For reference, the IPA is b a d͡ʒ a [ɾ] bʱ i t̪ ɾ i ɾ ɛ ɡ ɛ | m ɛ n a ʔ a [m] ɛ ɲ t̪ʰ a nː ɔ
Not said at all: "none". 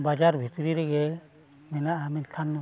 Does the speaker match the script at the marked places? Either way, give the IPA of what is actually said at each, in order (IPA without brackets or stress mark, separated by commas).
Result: ɾ, m